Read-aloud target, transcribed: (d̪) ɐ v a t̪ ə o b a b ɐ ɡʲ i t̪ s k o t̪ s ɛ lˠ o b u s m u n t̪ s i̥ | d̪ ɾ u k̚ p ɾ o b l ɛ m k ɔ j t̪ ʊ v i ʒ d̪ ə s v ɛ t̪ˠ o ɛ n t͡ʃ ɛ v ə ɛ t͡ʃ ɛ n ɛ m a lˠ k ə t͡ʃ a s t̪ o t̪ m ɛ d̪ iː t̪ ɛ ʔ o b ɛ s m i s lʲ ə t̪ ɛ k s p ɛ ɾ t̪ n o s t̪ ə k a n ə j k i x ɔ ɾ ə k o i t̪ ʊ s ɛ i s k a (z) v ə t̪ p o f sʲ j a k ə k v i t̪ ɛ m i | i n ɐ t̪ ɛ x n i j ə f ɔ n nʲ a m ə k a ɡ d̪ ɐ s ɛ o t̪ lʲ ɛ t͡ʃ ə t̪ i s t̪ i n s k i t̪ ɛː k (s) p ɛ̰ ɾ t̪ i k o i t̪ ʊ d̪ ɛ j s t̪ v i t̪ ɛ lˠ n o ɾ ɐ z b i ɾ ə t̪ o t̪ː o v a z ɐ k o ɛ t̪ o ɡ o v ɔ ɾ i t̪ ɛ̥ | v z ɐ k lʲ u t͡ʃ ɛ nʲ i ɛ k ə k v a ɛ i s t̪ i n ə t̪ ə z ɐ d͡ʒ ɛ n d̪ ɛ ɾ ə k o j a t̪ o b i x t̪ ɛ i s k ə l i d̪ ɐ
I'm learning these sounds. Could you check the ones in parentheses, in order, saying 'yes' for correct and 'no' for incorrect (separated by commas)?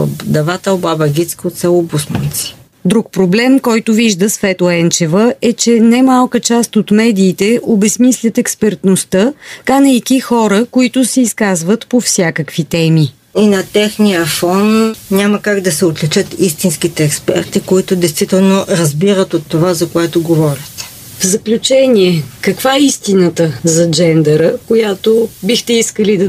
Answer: yes, yes, yes